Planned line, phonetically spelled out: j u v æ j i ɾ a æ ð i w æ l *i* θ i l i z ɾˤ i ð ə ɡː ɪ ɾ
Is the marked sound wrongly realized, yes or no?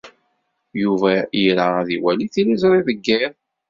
no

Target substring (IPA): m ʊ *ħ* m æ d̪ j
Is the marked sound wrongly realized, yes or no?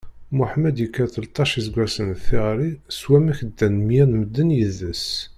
no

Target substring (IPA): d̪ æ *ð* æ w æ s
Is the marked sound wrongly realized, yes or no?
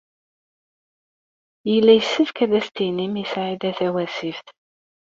yes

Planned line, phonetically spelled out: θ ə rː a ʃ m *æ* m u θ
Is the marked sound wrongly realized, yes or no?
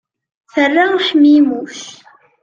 yes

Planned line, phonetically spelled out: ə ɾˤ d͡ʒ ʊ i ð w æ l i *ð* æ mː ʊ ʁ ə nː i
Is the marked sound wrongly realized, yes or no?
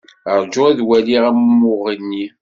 yes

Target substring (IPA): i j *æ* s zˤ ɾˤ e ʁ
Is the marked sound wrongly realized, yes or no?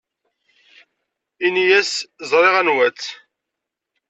no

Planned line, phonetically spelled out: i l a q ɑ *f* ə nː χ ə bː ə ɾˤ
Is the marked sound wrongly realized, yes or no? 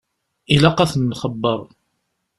yes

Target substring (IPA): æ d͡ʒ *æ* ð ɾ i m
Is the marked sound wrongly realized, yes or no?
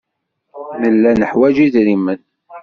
yes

